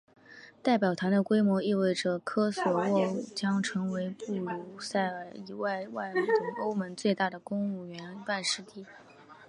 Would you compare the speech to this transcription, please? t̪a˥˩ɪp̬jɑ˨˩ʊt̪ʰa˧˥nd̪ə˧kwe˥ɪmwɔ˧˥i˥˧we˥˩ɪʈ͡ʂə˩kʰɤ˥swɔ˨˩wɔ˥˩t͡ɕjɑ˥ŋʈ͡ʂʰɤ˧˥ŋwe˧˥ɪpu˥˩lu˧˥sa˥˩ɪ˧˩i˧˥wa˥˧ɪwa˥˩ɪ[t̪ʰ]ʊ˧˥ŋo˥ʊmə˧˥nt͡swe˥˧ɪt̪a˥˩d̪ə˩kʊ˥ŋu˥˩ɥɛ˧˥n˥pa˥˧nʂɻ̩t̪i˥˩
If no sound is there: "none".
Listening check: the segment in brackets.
none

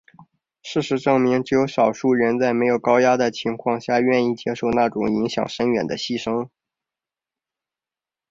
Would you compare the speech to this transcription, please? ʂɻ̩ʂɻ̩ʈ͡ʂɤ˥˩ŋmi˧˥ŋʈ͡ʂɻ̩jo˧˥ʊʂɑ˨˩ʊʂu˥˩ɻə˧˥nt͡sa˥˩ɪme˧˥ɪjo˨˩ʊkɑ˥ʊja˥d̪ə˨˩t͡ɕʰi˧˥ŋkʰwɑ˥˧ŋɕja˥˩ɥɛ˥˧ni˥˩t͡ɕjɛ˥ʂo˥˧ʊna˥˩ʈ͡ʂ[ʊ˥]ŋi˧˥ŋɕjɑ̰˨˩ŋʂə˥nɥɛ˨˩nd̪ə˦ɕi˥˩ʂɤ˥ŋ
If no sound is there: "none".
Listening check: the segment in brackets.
ʊ˨˩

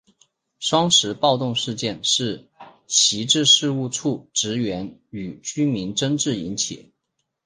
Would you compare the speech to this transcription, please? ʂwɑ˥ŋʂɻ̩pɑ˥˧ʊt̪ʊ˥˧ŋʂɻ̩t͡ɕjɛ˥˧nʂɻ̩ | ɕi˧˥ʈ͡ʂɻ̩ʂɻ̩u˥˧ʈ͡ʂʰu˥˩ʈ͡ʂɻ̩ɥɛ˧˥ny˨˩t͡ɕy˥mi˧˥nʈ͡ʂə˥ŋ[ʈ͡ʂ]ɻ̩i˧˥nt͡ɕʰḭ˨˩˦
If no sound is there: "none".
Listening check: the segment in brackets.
ʈ͡ʂ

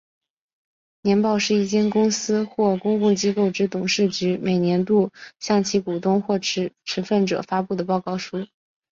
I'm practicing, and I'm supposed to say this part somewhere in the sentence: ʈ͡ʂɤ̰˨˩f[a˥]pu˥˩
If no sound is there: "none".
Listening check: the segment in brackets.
a˥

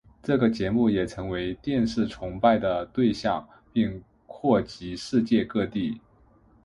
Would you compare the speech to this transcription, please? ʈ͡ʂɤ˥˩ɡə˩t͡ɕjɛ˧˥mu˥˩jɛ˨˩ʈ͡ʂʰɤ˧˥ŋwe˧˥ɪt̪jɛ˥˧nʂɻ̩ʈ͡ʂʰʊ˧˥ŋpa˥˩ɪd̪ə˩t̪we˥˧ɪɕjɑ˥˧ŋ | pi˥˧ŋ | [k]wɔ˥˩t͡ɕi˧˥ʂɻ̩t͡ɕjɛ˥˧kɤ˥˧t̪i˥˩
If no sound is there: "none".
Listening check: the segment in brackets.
kʰ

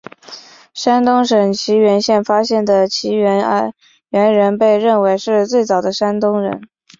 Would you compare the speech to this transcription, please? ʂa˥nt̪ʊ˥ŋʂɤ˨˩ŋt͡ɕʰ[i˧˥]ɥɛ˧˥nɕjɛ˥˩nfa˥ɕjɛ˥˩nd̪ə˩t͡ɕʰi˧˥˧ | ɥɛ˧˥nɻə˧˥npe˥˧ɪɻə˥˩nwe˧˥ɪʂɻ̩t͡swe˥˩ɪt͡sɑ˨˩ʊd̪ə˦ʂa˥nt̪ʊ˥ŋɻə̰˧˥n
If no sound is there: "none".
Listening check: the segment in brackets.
i˧˥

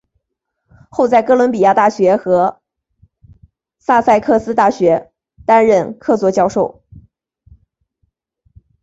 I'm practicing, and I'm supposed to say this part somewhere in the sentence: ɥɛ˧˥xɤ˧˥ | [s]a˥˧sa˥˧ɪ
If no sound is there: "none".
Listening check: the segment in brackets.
s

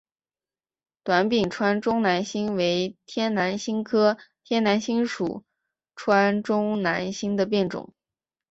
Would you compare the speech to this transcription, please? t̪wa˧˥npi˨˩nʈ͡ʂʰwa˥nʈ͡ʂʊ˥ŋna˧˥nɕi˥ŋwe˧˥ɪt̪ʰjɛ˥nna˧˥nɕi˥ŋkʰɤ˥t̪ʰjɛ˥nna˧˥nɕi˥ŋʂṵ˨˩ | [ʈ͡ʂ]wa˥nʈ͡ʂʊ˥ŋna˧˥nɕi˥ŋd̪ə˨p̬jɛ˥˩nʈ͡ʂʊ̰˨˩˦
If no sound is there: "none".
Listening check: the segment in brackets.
ʈ͡ʂʰ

